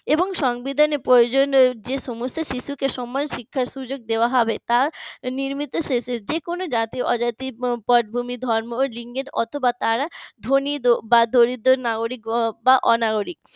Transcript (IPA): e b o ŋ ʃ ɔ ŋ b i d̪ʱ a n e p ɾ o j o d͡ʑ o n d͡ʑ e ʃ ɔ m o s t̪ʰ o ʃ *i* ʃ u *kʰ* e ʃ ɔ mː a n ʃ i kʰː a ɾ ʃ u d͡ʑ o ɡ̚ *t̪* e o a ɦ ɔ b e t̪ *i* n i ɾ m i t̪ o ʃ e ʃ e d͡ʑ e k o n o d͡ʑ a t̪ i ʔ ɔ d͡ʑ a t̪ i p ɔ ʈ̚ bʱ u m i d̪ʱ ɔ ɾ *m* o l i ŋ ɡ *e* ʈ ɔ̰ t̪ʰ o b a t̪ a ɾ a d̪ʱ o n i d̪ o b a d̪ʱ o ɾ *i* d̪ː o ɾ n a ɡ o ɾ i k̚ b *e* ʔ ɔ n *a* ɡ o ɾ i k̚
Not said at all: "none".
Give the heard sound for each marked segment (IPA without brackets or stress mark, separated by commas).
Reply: i, k, d̪, a, m, e, i, a, a